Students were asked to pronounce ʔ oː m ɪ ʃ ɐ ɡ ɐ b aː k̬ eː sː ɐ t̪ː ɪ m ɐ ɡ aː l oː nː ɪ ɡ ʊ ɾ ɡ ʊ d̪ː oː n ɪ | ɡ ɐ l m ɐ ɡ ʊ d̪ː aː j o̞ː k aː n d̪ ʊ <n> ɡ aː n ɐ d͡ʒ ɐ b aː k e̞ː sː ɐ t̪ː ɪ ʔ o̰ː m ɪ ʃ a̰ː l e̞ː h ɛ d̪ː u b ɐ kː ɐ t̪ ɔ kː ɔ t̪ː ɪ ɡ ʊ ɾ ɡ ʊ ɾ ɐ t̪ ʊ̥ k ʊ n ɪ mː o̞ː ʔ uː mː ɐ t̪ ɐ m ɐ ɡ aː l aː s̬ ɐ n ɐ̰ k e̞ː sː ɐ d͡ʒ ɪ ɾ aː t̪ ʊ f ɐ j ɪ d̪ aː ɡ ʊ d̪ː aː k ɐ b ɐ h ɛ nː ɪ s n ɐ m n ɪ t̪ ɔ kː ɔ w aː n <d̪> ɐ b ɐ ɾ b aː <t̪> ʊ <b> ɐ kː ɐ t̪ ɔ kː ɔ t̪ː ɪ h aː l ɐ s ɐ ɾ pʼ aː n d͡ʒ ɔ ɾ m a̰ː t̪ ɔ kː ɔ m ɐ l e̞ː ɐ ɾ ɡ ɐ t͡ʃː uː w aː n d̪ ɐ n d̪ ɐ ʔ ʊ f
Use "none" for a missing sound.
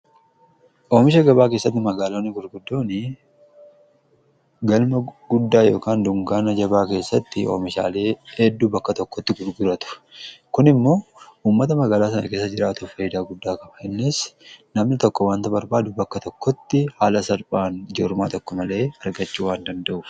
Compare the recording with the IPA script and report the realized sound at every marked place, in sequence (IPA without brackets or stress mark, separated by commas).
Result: ŋ, t̪, d̪, b